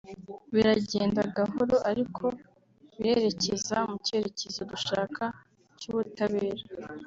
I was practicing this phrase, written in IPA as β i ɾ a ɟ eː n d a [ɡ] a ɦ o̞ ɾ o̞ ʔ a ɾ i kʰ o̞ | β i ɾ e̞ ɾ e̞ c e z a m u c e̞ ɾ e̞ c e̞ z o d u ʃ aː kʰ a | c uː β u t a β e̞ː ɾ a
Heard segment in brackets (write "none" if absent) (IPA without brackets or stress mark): ɡ